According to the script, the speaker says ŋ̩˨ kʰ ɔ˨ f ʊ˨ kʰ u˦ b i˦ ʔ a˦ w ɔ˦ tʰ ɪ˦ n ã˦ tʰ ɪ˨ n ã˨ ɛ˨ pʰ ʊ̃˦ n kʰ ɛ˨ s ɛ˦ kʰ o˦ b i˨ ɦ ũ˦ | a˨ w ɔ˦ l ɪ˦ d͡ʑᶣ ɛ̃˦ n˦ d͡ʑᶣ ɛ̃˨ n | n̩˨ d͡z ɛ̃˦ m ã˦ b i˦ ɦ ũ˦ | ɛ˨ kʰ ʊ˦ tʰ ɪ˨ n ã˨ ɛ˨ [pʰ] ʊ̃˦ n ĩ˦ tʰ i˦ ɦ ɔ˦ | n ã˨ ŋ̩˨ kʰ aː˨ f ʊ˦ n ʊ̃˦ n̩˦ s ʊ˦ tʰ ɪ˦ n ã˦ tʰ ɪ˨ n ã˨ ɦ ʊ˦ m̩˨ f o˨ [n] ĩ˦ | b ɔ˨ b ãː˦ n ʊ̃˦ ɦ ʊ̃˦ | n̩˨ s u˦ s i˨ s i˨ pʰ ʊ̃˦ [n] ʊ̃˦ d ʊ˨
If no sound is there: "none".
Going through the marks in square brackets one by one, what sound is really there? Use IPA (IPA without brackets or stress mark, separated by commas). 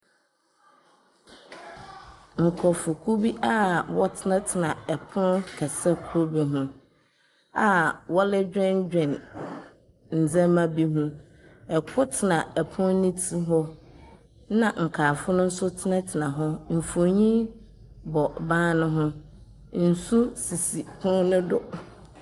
pʰ, ɲ, n